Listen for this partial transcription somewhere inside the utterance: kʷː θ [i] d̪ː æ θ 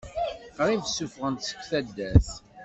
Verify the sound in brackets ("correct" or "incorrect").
incorrect